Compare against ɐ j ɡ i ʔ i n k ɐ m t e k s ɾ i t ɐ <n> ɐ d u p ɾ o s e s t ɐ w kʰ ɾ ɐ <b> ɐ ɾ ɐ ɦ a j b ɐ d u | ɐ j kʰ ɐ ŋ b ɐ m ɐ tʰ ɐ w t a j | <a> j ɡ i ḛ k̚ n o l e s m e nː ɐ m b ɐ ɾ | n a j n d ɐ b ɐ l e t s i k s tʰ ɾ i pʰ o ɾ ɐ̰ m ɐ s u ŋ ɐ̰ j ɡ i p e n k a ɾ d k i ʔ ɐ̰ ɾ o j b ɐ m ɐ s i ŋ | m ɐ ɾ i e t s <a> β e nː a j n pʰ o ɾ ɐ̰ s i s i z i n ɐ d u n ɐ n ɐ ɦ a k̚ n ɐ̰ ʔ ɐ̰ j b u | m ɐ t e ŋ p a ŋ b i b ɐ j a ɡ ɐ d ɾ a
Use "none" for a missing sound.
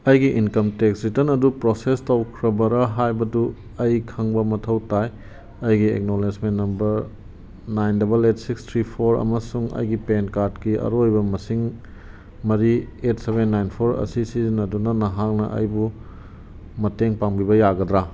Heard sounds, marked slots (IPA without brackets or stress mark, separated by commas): n, b, ɐ, e